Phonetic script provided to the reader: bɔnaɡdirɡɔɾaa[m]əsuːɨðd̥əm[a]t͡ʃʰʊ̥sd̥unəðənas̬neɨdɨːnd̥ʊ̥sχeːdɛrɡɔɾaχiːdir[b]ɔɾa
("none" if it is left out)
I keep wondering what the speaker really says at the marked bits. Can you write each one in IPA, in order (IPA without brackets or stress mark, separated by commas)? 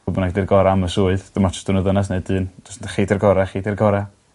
m, a, ɡ